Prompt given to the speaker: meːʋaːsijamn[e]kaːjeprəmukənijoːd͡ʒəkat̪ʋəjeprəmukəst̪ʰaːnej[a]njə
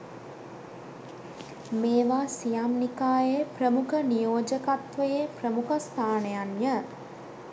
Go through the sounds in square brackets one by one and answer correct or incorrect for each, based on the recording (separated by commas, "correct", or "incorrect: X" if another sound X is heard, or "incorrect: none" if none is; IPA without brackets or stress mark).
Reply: incorrect: i, correct